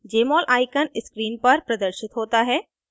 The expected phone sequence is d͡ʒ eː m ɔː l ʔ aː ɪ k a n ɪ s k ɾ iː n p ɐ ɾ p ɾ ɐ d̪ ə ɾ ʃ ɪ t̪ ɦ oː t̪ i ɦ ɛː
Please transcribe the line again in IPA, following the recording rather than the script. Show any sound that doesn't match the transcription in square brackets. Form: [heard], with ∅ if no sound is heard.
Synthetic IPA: d͡ʒ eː m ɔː l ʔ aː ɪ k [ə] n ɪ s k ɾ iː n p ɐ ɾ p ɾ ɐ d̪ ə ɾ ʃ ɪ t̪ ɦ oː t̪ [a] ɦ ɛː